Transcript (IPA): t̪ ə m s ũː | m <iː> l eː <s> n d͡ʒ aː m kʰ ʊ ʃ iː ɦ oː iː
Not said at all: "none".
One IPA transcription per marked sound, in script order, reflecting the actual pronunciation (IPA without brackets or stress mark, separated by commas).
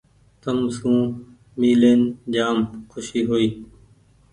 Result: iː, none